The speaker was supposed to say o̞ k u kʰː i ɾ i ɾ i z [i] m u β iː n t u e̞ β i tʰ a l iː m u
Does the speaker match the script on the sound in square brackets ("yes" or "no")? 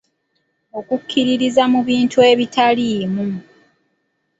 no